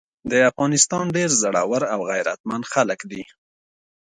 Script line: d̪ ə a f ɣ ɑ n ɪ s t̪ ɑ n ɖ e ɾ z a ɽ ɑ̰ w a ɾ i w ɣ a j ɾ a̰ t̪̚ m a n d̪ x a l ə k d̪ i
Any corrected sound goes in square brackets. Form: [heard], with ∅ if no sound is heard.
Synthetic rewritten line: d̪ ə a f ɣ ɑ n ɪ s t̪ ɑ n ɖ e ɾ z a ɽ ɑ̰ w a ɾ [a] w ɣ a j ɾ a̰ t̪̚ m a n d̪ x a l ə k d̪ i

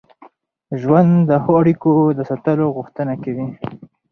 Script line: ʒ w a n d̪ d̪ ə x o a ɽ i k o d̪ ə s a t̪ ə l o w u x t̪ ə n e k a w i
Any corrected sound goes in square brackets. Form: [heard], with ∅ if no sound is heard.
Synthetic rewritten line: ʒ w a n d̪ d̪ ə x o a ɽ i k o d̪ ə s a t̪ ə l o [ɣ] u x t̪ ə n [a] k a w i

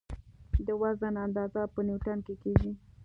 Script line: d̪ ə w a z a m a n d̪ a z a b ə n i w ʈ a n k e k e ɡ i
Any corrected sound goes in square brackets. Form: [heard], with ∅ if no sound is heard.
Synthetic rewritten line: d̪ ə w a z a [n] a n d̪ [ɑ] z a [p] ə n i w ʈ a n k e k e ɡ i

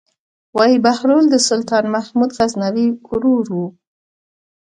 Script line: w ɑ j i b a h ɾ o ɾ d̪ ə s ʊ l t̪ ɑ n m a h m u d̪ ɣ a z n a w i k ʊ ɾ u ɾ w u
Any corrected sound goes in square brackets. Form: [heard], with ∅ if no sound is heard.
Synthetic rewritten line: w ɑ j i b a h ɾ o [l] d̪ ə s ʊ l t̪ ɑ n m a h m u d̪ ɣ a z n a w i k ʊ ɾ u ɾ w u

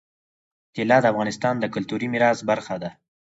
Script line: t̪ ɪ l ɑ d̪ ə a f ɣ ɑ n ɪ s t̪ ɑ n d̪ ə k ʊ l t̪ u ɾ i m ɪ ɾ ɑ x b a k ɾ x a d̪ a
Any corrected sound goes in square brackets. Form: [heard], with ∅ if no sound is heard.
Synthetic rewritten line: t̪ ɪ l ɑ d̪ ə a f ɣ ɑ n ɪ s t̪ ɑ n d̪ ə k ʊ l t̪ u ɾ i m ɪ ɾ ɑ [s] b a [∅] ɾ x a d̪ a

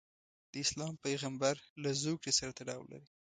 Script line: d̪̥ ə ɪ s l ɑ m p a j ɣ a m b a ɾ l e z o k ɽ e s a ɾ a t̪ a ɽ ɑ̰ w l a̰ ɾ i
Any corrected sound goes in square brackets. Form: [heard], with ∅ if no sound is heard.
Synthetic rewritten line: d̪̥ ə ɪ s l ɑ m p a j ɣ a m b a ɾ l [a] z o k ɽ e s a ɾ a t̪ a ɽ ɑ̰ w l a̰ ɾ i

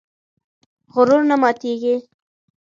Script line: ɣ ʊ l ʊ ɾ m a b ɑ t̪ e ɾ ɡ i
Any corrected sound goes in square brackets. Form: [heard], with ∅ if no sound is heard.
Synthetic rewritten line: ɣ ʊ [ɾ] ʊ ɾ [n] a [m] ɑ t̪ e [∅] ɡ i

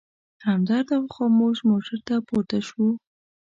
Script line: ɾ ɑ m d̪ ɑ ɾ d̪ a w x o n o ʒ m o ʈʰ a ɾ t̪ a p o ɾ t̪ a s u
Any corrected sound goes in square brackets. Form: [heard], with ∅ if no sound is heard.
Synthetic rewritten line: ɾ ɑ m d̪ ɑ ɾ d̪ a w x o [m] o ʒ m o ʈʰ a ɾ t̪ a p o ɾ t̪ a [ʃ] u

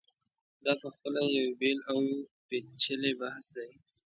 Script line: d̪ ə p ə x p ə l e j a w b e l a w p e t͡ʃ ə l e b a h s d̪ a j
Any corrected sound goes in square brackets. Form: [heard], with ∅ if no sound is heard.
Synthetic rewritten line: d̪ [ɑ] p ə x p ə l [a] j a w b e l a w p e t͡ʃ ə l e b a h s d̪ a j

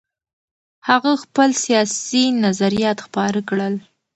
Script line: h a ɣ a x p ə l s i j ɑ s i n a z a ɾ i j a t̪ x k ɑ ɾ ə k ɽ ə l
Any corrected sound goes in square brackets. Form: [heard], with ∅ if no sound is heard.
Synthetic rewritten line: h a ɣ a x p ə l s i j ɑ s i n a z a ɾ i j [ɑ] t̪ x [p] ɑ ɾ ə k ɽ ə l

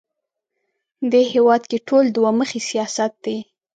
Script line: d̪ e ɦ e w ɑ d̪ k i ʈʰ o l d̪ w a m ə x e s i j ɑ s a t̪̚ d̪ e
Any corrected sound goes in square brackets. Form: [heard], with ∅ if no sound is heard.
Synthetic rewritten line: d̪ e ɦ e w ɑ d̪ k [e] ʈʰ o l d̪ w a m ə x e s i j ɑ s a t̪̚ d̪ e

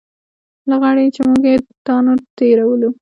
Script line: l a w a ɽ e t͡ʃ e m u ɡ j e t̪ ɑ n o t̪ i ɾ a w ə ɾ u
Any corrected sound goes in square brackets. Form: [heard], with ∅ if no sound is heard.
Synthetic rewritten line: l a [ɣ] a ɽ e t͡ʃ e m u ɡ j e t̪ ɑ n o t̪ [e] ɾ a w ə [l] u

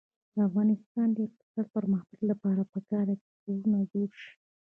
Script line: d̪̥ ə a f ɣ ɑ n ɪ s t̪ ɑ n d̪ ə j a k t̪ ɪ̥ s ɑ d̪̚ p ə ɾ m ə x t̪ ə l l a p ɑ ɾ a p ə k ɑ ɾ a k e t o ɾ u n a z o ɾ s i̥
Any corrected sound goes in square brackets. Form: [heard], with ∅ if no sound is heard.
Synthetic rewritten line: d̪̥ ə a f ɣ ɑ n ɪ s t̪ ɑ n d̪ ə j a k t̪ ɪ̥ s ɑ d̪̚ p ə ɾ m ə x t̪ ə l l a p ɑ ɾ a p ə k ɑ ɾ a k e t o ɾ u n a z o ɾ [ʃ] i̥

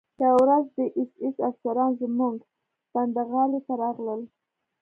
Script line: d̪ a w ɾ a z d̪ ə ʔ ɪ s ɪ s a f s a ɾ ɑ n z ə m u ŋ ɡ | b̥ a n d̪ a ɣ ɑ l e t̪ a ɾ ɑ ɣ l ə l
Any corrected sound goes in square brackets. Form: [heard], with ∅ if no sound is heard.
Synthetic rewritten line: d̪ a w ɾ a z d̪ ə ʔ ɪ s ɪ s a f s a ɾ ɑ n z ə m u ŋ ɡ | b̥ a n d̪ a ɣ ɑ l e t̪ a ɾ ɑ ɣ l ə l

